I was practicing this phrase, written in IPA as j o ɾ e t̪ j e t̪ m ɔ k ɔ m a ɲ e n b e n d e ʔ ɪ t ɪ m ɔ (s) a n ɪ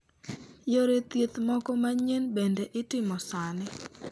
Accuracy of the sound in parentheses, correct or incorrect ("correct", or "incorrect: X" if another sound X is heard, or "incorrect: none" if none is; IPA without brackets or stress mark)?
correct